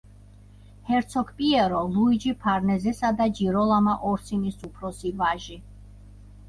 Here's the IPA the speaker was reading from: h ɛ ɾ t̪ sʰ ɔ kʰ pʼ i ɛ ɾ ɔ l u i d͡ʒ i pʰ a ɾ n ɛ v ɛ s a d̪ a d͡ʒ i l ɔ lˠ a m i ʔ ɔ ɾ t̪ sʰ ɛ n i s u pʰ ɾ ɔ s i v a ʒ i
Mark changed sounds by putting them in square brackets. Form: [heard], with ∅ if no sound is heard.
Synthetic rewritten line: h ɛ ɾ t̪ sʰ ɔ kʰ pʼ i ɛ ɾ ɔ l u i d͡ʒ i pʰ a ɾ n ɛ [z] ɛ s a d̪ a d͡ʒ i [ɾ] ɔ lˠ a m [a] ʔ ɔ ɾ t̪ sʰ [i] n i s u pʰ ɾ ɔ s i v a ʒ i